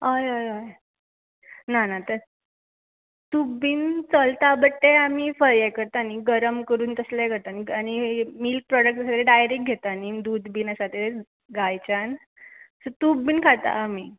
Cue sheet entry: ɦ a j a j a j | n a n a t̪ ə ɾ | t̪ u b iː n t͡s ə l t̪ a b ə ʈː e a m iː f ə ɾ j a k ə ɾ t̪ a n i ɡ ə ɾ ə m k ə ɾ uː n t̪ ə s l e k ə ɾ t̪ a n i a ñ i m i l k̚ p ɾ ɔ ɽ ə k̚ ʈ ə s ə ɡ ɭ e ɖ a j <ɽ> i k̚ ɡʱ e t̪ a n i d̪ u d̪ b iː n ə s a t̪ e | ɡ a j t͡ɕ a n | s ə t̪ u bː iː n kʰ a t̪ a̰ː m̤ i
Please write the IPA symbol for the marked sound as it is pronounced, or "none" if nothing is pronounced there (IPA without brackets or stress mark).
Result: ɾ